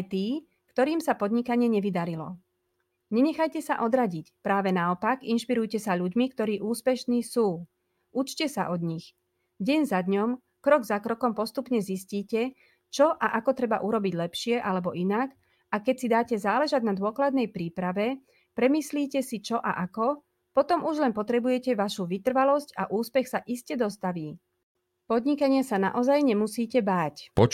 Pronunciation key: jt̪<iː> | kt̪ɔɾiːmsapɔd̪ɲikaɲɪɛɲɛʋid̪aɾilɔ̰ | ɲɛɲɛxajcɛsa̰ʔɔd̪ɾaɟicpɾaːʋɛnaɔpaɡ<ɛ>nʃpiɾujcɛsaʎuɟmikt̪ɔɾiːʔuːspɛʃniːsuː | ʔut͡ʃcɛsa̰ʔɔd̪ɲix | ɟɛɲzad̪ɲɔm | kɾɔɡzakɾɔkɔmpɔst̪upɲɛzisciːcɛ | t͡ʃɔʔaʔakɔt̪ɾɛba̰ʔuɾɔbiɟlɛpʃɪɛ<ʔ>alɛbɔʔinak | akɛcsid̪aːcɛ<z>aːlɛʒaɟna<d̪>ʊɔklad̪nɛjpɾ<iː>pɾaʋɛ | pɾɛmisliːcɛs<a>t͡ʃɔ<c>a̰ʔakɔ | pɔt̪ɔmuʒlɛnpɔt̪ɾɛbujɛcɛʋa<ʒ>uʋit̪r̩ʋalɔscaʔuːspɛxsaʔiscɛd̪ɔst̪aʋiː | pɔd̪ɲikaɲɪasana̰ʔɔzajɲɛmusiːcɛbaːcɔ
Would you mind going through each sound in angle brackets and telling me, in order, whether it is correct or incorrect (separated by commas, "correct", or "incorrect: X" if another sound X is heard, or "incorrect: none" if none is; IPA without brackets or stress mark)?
correct, incorrect: i, correct, correct, correct, correct, incorrect: i, incorrect: ʔ, incorrect: ʃ